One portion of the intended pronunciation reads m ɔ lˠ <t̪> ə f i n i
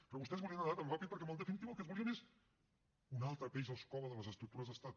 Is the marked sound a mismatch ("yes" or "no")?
yes